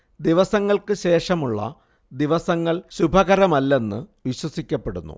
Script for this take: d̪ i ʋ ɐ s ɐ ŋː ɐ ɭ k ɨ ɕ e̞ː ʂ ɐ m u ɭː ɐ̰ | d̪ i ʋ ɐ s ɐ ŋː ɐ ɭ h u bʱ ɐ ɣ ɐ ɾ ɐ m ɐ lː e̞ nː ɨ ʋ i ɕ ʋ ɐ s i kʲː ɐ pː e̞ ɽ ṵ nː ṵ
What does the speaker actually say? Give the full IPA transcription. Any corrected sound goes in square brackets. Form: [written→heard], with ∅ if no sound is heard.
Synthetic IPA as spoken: d̪ i ʋ ɐ s ɐ ŋː ɐ ɭ k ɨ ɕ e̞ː ʂ ɐ m u ɭː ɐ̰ | d̪ i ʋ ɐ s ɐ ŋː ɐ ɭ [h→ɕ] u bʱ ɐ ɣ ɐ ɾ ɐ m ɐ lː e̞ nː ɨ ʋ i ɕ [ʋ→w] ɐ s i kʲː ɐ pː e̞ ɽ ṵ nː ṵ